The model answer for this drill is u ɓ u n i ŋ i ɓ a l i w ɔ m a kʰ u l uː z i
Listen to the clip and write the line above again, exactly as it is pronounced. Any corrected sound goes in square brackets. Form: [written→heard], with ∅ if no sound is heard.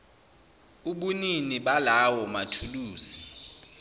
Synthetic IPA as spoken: u ɓ u n i [ŋ→n] i ɓ a l [i→a] w ɔ m a [kʰ→tʰ] u l uː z i